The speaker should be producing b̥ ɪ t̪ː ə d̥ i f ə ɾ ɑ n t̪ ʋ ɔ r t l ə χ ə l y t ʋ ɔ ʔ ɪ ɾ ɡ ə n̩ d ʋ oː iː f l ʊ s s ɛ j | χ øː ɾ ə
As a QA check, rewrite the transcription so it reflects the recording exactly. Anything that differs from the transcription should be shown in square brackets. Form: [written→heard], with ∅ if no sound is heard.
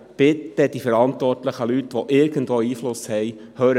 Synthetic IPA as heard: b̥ ɪ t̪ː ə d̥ i f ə ɾ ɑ n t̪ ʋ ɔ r t l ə χ ə l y t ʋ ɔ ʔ ɪ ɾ ɡ ə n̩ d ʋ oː iː f l ʊ s [s→h] ɛ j | [χ→h] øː ɾ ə